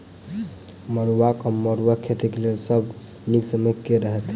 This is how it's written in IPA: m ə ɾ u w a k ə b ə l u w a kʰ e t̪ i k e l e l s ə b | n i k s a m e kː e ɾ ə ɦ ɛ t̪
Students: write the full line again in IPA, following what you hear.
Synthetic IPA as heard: m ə ɾ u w a k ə m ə ɾ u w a kʰ e t̪ i k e l e l s ə b | n i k s ə m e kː e ɾ ə ɦ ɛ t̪